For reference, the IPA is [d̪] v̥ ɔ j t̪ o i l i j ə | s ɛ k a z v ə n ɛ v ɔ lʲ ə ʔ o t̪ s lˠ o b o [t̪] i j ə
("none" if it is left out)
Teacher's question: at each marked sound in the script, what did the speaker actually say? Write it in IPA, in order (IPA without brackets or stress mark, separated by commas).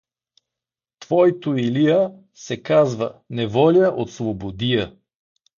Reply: t̪, d̪